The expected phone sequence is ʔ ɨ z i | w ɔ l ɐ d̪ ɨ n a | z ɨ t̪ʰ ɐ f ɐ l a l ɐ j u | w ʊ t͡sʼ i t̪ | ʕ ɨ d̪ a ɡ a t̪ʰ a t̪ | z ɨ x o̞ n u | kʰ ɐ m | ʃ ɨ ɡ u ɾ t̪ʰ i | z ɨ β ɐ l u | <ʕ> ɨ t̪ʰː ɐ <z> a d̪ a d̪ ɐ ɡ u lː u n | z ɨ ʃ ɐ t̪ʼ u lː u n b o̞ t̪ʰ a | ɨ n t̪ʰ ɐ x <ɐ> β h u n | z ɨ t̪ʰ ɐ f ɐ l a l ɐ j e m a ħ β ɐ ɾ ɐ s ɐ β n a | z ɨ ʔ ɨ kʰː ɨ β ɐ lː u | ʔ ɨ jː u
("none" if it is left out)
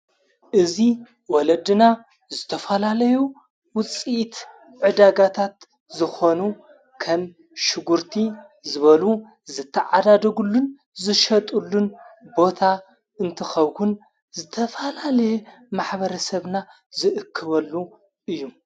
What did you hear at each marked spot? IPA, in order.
z, ʕ, ɐ

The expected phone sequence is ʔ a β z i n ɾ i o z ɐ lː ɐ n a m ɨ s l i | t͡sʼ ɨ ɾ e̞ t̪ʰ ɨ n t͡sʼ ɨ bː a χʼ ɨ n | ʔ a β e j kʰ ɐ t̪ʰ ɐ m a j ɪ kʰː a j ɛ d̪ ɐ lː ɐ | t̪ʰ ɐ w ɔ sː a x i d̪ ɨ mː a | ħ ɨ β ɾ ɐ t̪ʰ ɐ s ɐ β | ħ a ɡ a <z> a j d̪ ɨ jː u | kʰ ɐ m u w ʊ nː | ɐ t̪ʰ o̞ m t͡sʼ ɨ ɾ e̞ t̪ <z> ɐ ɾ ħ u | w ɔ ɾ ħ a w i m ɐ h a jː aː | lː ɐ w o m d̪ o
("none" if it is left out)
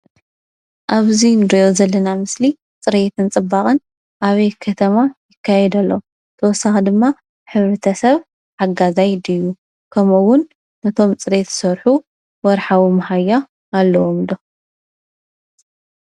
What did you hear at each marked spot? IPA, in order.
z, s

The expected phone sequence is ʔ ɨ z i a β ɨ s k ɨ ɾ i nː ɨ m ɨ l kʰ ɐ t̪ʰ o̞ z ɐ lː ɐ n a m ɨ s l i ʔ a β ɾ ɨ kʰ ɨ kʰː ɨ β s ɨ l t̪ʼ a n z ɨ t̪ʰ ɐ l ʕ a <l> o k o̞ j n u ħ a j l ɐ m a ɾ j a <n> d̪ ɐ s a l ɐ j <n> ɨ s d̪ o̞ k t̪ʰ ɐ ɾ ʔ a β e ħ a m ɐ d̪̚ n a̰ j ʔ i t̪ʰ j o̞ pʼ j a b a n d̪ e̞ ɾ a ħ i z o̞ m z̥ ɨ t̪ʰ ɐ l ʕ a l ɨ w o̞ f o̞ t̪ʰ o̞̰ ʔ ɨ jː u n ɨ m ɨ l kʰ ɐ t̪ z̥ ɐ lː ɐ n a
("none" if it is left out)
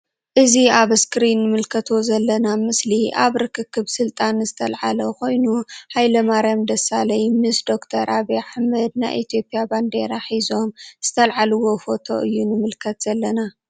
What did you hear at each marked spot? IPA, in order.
l, m, m

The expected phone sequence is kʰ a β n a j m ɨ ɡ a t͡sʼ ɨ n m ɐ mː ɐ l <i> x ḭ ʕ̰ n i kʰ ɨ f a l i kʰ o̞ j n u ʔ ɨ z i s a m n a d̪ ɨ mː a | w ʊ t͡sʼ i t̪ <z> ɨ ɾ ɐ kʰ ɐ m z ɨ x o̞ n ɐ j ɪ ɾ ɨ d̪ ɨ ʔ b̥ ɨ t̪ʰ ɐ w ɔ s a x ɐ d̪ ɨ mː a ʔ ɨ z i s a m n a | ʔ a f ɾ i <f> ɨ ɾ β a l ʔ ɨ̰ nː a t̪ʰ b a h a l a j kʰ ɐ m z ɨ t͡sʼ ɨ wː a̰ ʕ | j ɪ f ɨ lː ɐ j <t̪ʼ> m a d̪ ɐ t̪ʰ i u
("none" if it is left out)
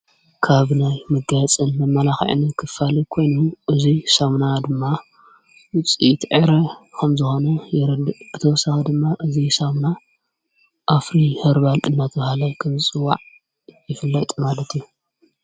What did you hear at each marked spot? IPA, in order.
a, ʕ, h, t̪ʼ

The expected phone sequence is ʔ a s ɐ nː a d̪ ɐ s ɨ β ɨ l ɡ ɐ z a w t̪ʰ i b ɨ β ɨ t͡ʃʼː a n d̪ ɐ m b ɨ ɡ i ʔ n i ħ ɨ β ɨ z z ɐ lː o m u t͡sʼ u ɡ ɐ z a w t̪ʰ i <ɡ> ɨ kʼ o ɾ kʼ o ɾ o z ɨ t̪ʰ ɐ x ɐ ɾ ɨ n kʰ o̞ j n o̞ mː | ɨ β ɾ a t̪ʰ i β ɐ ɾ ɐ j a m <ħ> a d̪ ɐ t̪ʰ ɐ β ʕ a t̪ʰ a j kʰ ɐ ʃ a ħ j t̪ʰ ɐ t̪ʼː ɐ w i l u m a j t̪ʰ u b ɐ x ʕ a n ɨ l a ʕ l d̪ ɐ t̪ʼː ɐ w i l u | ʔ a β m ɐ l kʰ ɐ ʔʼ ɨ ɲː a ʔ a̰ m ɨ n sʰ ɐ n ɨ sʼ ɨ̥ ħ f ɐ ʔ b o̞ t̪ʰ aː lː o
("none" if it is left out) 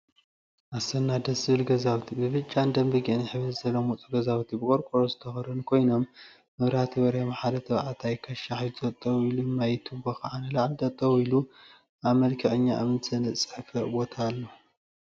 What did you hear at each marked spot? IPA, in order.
b, ħ

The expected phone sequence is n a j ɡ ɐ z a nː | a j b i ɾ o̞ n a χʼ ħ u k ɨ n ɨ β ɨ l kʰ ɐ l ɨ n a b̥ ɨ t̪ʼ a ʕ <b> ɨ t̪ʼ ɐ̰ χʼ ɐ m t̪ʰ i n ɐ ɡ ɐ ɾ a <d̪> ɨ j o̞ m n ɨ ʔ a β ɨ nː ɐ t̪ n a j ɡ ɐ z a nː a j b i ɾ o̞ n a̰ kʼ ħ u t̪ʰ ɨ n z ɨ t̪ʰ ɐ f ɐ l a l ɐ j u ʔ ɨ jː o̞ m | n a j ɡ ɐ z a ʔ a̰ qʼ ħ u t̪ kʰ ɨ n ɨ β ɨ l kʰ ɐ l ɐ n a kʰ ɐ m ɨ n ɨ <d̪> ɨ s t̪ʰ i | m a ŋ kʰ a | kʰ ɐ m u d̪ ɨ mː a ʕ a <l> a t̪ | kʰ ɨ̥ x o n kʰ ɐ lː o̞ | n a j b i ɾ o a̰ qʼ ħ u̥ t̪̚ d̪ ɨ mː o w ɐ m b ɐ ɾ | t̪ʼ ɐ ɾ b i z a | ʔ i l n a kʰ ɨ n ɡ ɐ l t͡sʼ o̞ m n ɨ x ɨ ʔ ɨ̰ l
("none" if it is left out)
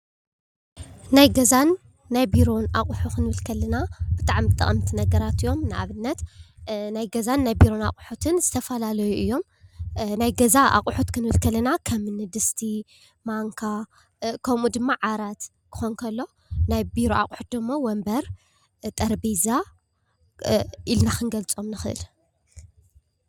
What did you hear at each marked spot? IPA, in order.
m, t̪, d̪, ɾ

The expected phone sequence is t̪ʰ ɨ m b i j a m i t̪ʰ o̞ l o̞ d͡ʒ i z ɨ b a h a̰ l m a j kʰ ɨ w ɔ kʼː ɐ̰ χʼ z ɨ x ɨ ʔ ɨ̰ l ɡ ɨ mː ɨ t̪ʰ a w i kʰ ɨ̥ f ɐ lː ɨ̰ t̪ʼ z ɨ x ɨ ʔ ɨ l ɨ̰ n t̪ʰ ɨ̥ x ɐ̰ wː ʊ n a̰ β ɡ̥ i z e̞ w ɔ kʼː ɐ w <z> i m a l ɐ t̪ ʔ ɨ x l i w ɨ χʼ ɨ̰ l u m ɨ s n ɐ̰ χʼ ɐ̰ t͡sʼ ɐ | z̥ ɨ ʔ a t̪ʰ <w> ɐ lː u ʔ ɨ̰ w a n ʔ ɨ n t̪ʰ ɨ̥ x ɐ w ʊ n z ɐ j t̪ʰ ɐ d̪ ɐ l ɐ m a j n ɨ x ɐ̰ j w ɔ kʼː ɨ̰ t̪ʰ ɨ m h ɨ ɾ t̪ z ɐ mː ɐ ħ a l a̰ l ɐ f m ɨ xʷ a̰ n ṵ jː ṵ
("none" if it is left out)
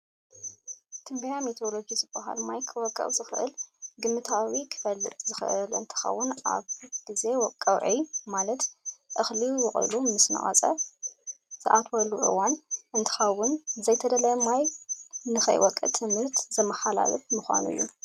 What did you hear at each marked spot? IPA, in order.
ʕ, w

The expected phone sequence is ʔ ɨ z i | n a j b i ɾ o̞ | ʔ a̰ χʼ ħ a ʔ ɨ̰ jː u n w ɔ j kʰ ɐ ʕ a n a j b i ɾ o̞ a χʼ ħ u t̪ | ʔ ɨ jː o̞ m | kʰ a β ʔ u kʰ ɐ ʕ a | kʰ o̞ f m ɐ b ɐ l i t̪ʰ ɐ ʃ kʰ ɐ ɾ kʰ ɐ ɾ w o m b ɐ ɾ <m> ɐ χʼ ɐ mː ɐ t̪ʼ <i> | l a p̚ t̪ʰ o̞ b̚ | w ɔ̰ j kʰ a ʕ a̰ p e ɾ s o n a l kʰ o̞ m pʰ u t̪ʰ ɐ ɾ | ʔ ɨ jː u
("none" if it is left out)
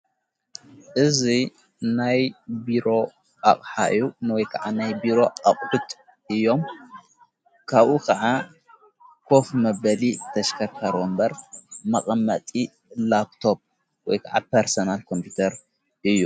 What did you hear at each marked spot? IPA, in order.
m, i

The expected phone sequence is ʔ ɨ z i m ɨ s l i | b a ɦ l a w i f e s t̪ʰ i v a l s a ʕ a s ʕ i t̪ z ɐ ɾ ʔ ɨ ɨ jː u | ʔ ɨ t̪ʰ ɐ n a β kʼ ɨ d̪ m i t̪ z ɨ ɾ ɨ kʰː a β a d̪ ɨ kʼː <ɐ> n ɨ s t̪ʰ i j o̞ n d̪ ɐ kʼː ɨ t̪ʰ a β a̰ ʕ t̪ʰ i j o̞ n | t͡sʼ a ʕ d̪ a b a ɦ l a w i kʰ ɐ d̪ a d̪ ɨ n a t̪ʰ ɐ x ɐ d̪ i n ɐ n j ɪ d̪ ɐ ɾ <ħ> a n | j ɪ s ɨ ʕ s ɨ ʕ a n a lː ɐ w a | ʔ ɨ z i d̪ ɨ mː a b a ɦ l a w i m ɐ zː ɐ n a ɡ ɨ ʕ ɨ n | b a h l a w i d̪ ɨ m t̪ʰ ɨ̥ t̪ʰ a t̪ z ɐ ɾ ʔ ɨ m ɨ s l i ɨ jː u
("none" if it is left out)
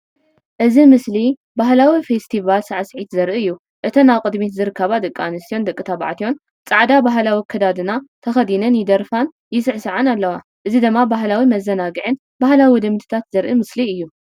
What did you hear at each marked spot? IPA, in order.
a, f

